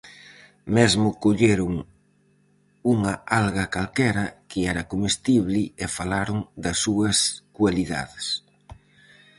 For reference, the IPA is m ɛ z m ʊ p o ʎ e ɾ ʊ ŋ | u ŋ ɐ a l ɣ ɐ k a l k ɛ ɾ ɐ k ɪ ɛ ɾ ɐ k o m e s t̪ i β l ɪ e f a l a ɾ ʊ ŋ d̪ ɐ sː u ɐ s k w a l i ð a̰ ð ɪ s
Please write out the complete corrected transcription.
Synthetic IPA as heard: m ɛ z m ʊ k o ʎ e ɾ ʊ ŋ | u ŋ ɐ a l ɣ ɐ k a l k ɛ ɾ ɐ k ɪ ɛ ɾ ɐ k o m e s t̪ i β l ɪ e f a l a ɾ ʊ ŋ d̪ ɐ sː u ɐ s k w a l i ð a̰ ð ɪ s